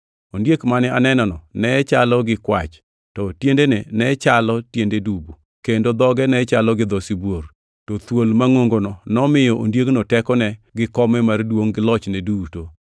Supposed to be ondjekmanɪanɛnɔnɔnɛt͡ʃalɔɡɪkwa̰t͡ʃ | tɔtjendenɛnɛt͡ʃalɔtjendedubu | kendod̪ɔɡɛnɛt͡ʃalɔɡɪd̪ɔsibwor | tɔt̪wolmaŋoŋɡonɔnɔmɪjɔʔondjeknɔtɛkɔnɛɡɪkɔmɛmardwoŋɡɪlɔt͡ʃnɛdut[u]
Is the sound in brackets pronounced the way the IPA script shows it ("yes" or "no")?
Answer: no